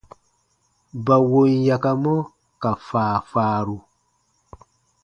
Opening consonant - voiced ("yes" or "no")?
yes